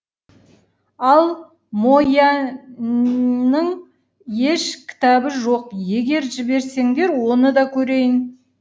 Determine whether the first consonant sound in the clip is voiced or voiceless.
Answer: voiced